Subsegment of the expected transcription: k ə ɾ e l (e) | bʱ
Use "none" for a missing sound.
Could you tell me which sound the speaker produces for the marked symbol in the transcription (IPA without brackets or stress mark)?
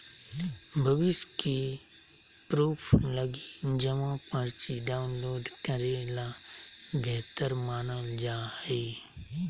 a